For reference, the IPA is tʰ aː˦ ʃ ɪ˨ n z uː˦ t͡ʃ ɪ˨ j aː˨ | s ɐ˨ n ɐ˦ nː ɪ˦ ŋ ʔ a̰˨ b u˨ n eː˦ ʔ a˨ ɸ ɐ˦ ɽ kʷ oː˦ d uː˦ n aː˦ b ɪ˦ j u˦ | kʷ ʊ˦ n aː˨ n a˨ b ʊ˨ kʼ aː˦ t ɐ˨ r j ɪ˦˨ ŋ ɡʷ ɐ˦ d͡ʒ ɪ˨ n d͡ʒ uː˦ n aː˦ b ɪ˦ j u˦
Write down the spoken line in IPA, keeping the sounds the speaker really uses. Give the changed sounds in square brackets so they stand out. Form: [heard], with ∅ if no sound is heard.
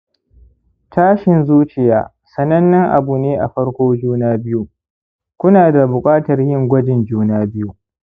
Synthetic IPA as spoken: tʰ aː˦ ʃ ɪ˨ n z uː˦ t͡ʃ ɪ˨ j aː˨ | s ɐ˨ n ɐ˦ nː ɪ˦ ŋ ʔ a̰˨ b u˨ n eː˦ ʔ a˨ ɸ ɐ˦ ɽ kʷ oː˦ [d͡ʒ] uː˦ n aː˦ b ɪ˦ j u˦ | kʷ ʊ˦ n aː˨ [d] a˨ b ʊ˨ kʼ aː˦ t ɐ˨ r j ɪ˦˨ ŋ ɡʷ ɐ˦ d͡ʒ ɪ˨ n d͡ʒ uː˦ n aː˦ b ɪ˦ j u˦

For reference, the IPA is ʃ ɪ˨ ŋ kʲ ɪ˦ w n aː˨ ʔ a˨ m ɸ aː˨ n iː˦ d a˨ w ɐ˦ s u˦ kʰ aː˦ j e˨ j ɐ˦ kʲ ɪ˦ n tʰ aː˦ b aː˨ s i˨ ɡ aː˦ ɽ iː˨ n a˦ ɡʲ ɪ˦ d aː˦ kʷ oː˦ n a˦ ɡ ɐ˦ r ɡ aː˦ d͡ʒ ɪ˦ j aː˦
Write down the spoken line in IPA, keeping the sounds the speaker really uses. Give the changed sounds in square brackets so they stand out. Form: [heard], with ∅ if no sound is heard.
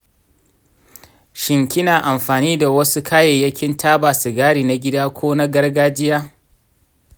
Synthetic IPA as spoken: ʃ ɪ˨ ŋ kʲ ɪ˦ [∅] n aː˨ ʔ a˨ m ɸ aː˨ n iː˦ d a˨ w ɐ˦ s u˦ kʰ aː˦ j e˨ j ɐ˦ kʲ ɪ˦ n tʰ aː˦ b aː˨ s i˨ ɡ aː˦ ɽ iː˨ n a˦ ɡʲ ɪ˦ d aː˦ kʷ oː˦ n a˦ ɡ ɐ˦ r ɡ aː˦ d͡ʒ ɪ˦ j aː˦

